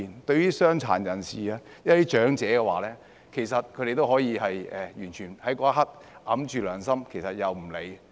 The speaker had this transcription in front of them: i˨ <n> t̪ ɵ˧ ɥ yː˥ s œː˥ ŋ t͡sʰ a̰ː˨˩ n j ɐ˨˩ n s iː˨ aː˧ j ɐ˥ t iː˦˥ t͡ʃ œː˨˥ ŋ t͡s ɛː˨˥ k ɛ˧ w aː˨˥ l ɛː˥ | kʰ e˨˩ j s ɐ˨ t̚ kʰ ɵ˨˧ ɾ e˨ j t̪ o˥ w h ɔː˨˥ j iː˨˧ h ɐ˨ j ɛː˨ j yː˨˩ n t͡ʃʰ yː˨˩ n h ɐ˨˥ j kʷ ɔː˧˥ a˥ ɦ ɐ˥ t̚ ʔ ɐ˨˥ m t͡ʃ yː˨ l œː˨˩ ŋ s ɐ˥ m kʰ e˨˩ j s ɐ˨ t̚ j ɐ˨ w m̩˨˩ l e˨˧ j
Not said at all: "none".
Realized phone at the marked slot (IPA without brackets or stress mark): n